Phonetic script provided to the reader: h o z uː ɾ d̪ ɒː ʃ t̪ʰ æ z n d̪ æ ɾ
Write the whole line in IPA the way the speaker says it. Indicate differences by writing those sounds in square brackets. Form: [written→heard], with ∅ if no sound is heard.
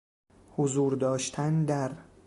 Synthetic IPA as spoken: h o z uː ɾ d̪ ɒː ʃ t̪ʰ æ [z→∅] n d̪ æ ɾ